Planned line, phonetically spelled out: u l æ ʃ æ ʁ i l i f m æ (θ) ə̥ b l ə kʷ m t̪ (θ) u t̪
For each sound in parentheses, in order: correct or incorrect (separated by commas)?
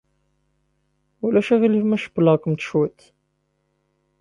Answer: incorrect, incorrect